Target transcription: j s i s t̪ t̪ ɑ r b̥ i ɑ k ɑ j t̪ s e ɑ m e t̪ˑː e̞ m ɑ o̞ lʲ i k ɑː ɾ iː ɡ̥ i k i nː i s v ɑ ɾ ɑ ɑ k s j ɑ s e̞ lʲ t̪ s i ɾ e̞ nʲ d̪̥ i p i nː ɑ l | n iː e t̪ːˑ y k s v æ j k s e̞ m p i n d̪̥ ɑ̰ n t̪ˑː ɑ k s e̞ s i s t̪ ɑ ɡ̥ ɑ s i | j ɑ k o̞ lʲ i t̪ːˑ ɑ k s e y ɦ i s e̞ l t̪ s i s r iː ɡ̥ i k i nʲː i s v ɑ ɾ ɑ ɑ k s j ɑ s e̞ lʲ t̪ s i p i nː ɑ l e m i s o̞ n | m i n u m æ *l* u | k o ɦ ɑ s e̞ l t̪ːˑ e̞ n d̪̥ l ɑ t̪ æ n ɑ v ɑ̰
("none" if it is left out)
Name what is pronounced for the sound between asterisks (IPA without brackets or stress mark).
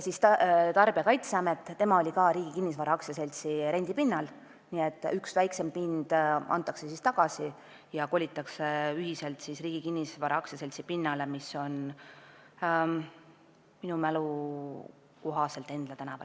l